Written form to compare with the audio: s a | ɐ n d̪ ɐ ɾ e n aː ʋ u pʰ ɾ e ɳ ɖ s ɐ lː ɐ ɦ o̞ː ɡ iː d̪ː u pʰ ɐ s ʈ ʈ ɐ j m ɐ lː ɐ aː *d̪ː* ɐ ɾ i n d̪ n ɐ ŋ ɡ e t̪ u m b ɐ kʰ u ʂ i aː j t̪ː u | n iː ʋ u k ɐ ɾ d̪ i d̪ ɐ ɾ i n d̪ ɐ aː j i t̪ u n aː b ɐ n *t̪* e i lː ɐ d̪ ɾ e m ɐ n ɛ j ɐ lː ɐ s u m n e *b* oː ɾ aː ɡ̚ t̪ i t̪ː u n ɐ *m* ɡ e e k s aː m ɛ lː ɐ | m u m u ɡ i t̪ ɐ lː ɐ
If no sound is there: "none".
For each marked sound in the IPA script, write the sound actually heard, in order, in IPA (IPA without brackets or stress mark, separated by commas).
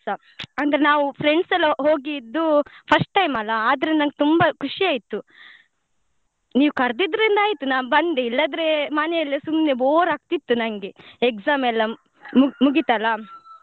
d̪, d̪, b, ŋ